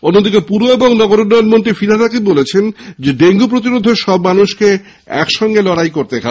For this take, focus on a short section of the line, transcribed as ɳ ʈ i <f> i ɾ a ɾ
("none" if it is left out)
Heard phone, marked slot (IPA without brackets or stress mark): f